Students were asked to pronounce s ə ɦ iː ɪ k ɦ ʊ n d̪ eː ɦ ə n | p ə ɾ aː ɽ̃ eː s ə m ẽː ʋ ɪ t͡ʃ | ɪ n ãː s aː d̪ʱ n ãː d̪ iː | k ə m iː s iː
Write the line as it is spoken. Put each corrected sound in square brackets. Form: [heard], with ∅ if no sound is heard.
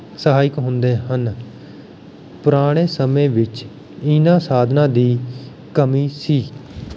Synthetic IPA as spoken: s ə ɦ [aː] ɪ k ɦ ʊ n d̪ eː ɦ ə n | p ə ɾ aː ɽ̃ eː s ə m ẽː ʋ ɪ t͡ʃ | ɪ n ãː s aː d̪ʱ n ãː d̪ iː | k ə m iː s iː